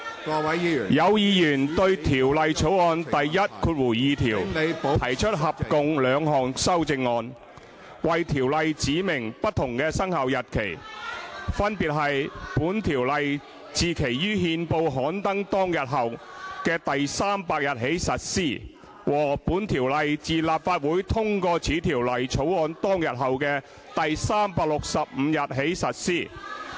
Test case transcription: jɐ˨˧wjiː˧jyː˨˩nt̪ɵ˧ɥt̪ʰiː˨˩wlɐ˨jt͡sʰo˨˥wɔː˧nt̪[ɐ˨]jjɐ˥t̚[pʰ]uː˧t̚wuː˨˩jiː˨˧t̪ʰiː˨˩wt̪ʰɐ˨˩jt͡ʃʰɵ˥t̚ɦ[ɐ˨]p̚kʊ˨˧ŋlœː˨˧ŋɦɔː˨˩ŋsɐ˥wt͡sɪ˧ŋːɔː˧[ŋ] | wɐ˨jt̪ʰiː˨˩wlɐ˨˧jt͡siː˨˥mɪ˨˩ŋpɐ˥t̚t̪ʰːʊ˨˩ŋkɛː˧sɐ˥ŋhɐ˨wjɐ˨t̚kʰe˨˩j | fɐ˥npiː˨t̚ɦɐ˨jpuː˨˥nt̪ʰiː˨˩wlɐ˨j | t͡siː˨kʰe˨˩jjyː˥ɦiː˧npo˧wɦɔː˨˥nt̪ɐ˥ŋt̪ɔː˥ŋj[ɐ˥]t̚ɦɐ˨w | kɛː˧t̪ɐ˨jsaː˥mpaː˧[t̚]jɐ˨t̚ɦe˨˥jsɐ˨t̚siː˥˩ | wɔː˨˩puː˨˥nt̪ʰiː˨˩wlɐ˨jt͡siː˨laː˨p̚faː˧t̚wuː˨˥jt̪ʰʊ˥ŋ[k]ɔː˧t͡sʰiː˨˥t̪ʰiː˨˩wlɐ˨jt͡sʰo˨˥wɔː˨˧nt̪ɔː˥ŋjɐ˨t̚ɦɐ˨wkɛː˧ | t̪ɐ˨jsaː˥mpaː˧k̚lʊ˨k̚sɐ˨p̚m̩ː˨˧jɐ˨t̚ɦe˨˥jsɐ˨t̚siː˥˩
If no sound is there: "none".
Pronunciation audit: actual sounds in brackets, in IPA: ɐ˨, kʰ, ɐ˨, n, ɐ˨, k̚, k

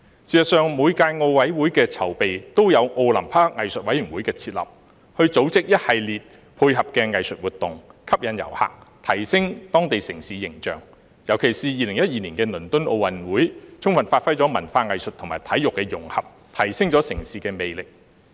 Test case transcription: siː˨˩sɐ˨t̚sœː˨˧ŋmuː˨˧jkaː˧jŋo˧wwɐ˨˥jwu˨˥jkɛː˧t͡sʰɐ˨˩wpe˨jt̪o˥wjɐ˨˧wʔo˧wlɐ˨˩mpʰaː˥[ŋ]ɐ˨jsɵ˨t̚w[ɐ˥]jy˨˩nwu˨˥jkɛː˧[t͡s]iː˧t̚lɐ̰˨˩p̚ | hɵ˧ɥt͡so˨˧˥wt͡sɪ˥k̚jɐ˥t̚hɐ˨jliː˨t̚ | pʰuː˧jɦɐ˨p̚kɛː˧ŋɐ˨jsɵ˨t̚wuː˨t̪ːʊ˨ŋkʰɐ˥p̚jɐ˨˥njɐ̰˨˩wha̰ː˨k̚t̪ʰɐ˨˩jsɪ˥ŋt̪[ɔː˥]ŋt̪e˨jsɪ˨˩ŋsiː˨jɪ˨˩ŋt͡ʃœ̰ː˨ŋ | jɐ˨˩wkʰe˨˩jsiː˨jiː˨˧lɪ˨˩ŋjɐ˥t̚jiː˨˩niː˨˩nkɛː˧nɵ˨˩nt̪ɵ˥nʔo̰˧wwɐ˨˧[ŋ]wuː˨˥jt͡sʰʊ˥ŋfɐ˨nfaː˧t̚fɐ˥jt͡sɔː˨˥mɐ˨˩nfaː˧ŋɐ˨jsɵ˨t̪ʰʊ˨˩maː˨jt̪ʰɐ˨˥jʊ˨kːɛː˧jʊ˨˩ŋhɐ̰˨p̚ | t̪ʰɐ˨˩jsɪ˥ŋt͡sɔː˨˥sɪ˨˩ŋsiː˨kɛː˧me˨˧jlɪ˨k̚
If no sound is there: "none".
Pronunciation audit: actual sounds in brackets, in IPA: ŋ, ɐ˨˥, t͡sʰ, ɔː˥, n

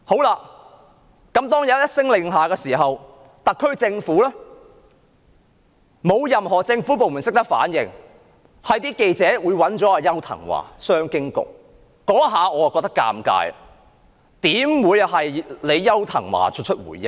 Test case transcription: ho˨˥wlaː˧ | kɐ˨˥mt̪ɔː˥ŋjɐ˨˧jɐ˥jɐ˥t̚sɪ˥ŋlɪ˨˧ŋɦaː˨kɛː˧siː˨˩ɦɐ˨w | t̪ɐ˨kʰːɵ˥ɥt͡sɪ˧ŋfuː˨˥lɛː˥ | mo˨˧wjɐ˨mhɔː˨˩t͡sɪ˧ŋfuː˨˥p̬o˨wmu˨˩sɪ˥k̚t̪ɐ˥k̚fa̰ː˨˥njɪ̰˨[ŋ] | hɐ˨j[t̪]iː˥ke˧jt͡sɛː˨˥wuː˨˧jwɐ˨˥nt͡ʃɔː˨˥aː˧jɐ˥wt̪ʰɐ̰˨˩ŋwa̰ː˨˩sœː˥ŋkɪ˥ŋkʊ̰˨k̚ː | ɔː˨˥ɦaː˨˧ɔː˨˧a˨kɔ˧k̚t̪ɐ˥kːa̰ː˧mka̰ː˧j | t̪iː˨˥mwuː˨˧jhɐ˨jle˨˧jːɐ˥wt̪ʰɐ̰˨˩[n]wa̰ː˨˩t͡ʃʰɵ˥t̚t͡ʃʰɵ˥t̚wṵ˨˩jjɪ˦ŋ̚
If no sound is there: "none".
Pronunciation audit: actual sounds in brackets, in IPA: ŋ, t̪, ŋ

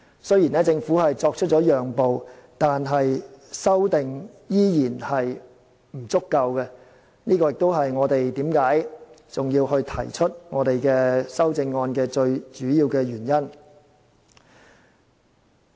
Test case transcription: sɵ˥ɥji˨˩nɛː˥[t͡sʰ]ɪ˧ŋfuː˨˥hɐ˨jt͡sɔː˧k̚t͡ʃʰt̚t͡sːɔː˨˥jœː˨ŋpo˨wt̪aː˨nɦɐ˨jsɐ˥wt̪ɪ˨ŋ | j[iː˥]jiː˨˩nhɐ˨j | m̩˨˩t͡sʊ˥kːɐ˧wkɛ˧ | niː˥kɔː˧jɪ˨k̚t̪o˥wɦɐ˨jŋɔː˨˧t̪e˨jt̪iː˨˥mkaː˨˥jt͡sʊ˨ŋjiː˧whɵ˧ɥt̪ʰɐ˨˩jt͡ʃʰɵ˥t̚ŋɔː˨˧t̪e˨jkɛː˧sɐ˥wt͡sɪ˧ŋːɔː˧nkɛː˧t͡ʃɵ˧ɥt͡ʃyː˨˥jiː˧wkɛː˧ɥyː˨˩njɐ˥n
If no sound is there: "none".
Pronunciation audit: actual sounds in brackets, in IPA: t͡s, iː˥

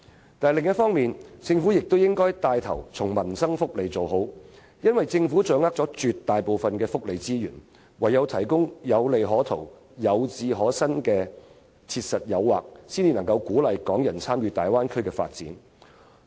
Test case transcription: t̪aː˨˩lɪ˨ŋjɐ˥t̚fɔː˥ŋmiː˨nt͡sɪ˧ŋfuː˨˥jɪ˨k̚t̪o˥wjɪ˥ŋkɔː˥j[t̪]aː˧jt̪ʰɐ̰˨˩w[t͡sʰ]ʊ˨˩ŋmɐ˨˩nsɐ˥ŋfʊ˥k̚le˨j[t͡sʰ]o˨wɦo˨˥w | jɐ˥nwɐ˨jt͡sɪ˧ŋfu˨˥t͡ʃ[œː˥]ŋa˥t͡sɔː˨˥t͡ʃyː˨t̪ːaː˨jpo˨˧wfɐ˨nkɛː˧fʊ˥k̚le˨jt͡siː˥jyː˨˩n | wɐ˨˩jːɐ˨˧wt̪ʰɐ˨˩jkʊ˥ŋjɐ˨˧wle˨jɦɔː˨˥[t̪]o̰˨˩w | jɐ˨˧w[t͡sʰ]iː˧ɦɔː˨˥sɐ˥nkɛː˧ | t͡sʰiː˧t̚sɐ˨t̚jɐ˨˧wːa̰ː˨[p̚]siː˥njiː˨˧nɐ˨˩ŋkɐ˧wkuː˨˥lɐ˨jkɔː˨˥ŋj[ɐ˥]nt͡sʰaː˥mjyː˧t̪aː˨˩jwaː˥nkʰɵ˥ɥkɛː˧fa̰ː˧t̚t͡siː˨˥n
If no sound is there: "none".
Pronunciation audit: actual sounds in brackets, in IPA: t̪, t͡sʰ, t͡s, œː˨˥, t̪ʰ, t͡s, k̚, ɐ˨˩

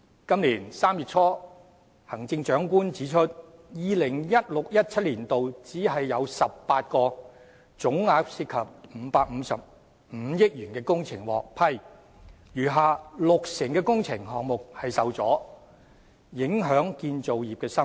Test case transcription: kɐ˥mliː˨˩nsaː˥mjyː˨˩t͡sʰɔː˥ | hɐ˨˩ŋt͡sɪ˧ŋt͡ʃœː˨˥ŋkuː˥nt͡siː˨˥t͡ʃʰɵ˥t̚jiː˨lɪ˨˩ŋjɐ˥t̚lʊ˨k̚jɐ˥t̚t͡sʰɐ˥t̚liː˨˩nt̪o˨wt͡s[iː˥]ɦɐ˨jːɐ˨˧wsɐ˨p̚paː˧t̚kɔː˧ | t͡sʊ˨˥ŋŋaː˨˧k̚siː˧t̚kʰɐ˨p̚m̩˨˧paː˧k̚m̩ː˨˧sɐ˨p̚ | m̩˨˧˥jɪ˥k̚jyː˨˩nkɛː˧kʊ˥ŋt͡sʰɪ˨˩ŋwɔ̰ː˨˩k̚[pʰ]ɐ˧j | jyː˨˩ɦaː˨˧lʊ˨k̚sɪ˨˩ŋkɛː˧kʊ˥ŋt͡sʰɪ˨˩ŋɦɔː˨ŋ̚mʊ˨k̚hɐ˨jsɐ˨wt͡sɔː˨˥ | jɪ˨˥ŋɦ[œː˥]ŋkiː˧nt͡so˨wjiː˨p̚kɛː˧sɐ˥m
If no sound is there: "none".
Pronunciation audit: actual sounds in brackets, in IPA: iː˨˥, pʰ, œː˨˥

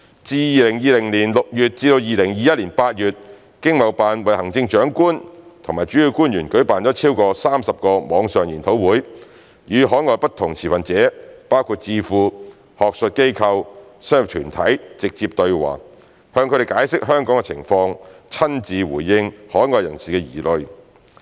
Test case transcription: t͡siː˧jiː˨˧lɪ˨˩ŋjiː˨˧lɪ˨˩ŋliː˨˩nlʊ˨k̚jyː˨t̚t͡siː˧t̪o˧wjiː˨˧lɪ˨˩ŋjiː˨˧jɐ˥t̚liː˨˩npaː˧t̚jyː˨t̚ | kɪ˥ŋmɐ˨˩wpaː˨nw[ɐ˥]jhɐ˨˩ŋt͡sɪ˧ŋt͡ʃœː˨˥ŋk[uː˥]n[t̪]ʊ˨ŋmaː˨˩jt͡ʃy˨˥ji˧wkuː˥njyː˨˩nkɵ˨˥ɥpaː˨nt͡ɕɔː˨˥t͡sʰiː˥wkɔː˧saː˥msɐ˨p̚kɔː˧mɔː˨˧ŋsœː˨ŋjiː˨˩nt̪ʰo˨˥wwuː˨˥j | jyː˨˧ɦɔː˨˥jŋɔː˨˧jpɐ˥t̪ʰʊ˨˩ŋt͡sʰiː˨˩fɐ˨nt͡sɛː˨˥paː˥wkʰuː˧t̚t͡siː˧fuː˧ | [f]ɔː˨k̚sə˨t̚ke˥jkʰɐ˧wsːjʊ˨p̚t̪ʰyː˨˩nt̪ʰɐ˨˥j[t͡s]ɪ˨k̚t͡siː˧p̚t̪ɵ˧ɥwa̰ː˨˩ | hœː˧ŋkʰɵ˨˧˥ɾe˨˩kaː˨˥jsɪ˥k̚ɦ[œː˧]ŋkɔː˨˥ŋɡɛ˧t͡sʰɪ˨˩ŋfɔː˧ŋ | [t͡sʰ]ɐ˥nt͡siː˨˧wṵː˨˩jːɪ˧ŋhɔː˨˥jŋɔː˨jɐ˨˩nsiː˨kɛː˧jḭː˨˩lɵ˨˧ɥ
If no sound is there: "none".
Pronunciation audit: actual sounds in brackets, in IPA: ɐ˨, uː˥, t̪ʰ, h, t͡s, œː˥, t͡sʰ

